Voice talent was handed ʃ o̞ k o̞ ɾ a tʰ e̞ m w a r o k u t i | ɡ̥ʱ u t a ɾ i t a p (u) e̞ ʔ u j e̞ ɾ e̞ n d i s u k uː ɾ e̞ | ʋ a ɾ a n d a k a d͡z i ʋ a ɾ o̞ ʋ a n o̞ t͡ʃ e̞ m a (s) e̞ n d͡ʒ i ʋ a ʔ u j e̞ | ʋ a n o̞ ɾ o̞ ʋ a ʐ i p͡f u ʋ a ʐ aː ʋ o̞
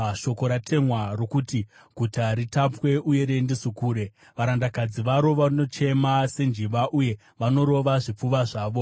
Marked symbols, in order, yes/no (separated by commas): no, yes